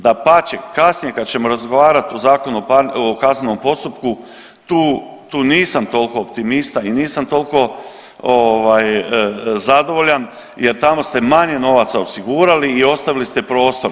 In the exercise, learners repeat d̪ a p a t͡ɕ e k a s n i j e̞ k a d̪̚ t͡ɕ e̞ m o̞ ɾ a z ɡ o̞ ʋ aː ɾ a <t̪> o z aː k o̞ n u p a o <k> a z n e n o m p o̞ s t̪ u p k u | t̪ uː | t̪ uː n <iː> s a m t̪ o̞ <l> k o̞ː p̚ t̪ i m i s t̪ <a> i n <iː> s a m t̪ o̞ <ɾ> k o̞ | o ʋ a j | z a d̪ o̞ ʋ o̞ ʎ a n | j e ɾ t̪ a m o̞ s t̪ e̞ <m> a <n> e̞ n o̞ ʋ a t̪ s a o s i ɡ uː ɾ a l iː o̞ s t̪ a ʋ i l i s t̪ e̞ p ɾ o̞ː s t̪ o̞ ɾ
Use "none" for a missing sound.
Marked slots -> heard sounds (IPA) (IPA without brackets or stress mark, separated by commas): t̪, k, iː, l, a, iː, l, m, ɲ